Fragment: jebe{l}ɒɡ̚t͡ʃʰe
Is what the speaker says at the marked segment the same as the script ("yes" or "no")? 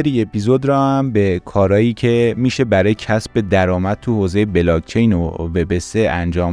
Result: yes